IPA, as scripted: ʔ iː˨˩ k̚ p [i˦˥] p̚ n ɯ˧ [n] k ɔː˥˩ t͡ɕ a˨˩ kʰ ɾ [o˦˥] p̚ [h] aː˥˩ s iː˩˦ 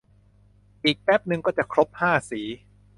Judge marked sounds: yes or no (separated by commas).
no, no, yes, yes